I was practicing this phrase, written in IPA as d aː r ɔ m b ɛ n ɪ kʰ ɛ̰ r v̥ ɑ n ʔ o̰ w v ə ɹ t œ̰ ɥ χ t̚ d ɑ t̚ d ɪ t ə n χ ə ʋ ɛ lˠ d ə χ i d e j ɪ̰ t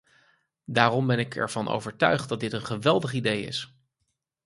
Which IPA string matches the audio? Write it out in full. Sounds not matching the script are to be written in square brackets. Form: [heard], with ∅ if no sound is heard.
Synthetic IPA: d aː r ɔ m b ɛ n ɪ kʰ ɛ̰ [ɹ] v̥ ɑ n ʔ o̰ w v ə ɹ t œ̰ ɥ χ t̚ d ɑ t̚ d ɪ t ə n χ ə ʋ ɛ lˠ d ə χ i d e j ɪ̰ [s]

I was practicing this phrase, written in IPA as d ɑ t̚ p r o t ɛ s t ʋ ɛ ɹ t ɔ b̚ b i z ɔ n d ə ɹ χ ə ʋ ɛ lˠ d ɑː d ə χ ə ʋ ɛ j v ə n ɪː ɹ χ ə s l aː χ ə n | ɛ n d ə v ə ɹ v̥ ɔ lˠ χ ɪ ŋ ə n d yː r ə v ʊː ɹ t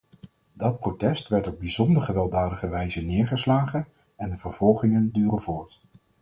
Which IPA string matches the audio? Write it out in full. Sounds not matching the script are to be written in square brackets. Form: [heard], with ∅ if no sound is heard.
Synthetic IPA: d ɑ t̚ p r o t ɛ s t ʋ ɛ ɹ t ɔ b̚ b i z ɔ n d ə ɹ χ ə ʋ ɛ lˠ d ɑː d ə χ ə ʋ ɛ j [z] ə n ɪː ɹ χ ə s l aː χ ə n | ɛ n d ə v ə ɹ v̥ ɔ lˠ χ ɪ ŋ ə n d yː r ə v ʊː ɹ t

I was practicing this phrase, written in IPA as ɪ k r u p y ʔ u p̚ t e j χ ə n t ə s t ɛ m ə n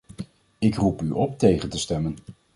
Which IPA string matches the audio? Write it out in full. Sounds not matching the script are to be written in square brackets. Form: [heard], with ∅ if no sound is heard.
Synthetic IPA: ɪ k r u p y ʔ [ɔ] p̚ t e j χ ə n t ə s t ɛ m ə n

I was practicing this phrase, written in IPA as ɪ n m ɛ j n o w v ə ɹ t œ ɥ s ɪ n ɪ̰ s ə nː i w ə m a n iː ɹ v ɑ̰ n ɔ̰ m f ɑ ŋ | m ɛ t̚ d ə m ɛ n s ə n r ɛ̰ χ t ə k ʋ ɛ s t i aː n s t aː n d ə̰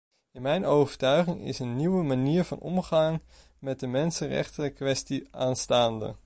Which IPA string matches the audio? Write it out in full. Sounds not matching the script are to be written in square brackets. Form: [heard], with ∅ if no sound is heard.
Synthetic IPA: ɪ n m ɛ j n o w v ə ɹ t œ ɥ [χ] ɪ [ŋ] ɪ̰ s ə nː i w ə m a n iː ɹ v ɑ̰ n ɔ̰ m [χ] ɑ ŋ | m ɛ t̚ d ə m ɛ n s ə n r ɛ̰ χ t ə k ʋ ɛ s t i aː n s t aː n d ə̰

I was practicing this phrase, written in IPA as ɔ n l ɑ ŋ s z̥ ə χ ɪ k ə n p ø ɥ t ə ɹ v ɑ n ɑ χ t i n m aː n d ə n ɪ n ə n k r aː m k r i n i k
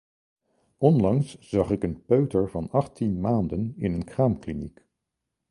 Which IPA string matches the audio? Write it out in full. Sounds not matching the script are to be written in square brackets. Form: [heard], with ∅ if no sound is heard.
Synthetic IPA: ɔ n l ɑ ŋ s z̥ [ɑ] χ ɪ k ə n p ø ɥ t ə ɹ v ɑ n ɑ χ t i n m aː n d ə n ɪ n ə n k r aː m k [l] i n i k

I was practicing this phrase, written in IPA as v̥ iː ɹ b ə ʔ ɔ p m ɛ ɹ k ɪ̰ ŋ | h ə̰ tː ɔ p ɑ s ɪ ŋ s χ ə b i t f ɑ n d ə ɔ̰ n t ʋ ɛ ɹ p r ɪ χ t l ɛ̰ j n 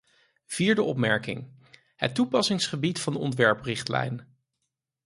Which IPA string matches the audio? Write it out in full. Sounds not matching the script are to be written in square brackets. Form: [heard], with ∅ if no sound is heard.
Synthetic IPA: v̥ iː ɹ [d] ə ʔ ɔ p m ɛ ɹ k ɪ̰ ŋ | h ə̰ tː [u] p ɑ s ɪ ŋ s χ ə b i t f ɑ n d ə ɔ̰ n t ʋ ɛ ɹ p r ɪ χ t l ɛ̰ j n

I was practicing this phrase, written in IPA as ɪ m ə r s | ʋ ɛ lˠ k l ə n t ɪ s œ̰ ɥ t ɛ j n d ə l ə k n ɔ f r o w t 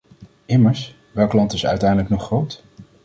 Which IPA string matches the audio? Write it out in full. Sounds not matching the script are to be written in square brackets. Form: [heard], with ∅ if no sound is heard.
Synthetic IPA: ɪ m ə [ɹ] s | ʋ ɛ lˠ k l [ɑ] n t ɪ s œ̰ ɥ t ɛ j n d ə l ə k n ɔ [χ] r o w t

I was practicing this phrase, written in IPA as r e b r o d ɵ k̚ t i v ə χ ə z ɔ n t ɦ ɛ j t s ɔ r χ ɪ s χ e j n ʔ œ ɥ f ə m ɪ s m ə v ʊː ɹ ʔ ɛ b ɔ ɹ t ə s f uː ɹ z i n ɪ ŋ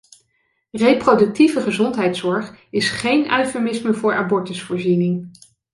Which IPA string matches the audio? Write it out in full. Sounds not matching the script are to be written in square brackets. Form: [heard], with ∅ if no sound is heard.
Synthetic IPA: r e [p] r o d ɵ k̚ t i v ə χ ə z ɔ n t ɦ ɛ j t s ɔ [ɹ] χ ɪ s χ e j n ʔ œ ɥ f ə m ɪ s m ə v ʊː ɹ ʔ [a] b ɔ ɹ t ə s f [ʊː] ɹ z i n ɪ ŋ

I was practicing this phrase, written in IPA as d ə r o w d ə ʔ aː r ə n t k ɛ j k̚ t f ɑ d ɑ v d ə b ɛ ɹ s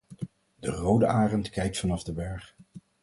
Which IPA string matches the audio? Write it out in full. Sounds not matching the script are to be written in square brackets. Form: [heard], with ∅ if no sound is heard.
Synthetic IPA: d ə r o w d ə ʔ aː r ə n t k ɛ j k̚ t f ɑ [n] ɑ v d ə b ɛ ɹ [χ]

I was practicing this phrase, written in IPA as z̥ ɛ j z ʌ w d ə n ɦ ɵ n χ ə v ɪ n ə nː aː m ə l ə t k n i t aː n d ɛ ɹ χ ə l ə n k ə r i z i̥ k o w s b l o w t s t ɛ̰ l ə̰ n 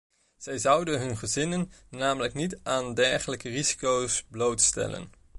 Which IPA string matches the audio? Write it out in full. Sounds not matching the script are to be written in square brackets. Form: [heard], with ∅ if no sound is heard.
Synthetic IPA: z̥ ɛ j z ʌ w d ə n ɦ ɵ n χ ə [z] ɪ n ə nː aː m ə l ə [∅] k n i t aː n d ɛ ɹ χ ə l ə [∅] k ə r i z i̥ k o w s b l o w t s t ɛ̰ l ə̰ n

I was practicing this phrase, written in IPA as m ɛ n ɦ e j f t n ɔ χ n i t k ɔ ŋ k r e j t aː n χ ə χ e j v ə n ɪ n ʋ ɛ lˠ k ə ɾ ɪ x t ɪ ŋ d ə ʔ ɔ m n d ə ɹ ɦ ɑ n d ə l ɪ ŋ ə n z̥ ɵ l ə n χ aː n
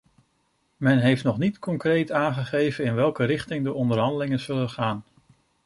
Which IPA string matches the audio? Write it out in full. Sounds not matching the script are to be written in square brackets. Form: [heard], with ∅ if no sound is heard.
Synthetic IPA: m ɛ n ɦ e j f t n ɔ χ n i t k ɔ ŋ k r e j t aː n χ ə χ e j v ə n ɪ n ʋ ɛ lˠ k ə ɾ ɪ [χ] t ɪ ŋ d ə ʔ ɔ [∅] n d ə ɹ ɦ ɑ n d ə l ɪ ŋ ə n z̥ ɵ l ə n χ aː n

